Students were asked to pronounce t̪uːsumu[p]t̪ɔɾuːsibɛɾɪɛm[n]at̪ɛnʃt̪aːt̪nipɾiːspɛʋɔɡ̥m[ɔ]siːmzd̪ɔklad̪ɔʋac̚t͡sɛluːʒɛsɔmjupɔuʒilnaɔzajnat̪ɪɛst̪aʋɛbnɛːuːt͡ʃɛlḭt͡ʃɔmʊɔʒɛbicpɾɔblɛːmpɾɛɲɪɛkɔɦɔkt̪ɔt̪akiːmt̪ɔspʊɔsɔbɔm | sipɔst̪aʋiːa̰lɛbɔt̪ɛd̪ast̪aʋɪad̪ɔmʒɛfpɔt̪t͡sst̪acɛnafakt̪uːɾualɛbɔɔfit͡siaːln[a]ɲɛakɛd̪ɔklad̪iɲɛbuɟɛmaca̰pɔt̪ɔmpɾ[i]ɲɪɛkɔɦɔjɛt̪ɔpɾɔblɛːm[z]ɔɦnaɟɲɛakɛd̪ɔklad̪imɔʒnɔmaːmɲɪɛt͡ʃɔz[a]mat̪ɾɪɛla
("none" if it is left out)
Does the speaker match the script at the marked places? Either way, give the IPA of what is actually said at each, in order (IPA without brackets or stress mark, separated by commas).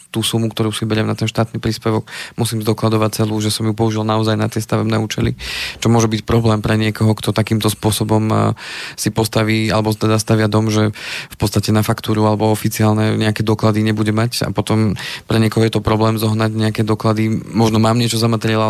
k, n, u, ɛ, ɛ, z, a